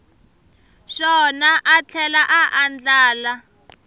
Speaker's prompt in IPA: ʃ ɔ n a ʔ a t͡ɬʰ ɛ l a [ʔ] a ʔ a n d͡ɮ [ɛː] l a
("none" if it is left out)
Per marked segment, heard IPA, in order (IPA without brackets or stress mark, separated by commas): ʔ, aː